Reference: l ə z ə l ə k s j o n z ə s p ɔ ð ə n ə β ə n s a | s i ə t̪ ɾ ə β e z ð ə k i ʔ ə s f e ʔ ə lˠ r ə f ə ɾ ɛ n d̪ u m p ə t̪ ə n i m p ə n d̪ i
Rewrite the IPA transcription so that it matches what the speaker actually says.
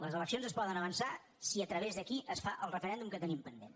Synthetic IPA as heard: l ə z ə l ə k s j o n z ə s p ɔ ð ə n ə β ə n s a | s i ə t̪ ɾ ə β e z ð ə k i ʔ ə s f a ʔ ə lˠ r ə f ə ɾ ɛ n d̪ u m k ə t̪ ə n i m p ə n d̪ e